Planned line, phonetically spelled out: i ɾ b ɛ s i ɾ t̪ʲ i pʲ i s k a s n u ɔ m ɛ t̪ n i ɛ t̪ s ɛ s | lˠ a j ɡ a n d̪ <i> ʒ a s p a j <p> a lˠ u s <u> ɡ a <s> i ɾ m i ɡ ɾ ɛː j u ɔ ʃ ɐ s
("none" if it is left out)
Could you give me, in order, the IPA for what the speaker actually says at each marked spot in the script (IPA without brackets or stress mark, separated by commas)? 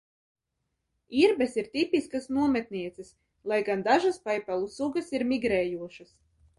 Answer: a, p, u, s